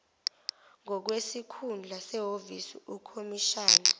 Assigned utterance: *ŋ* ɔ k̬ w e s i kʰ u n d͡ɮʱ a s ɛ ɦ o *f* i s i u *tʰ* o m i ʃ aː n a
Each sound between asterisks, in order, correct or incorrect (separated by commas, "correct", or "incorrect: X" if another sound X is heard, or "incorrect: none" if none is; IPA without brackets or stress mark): correct, incorrect: v, incorrect: kʰ